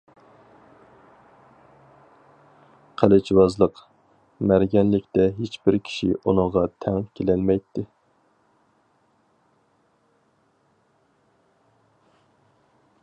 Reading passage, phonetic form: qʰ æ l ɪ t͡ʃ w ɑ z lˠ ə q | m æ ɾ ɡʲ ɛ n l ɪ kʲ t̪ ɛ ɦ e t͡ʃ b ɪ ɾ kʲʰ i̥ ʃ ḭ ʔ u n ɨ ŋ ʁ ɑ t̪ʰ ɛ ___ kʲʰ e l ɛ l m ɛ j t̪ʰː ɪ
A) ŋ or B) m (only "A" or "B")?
A